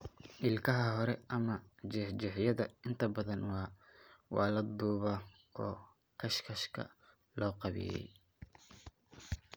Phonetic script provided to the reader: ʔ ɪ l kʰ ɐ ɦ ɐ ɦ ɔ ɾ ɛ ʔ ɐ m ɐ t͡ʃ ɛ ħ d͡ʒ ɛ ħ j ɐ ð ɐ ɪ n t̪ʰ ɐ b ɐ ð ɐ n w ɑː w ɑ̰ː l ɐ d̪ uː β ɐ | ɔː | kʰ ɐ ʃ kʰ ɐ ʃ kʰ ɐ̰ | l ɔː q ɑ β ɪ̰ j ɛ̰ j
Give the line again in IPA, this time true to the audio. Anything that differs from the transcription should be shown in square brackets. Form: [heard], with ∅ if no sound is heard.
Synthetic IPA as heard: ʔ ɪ l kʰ ɐ ɦ ɐ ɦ ɔ ɾ ɛ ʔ ɐ m ɐ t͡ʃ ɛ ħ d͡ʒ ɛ ħ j ɐ ð ɐ ɪ n t̪ʰ ɐ b ɐ ð ɐ n w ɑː w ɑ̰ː l ɐ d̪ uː β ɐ | ɔː | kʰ ɐ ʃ kʰ ɐ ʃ kʰ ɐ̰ | l ɔː q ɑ β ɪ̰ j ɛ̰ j